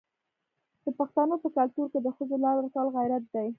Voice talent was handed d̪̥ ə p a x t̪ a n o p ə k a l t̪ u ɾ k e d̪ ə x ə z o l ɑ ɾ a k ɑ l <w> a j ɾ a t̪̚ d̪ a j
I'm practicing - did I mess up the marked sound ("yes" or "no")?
yes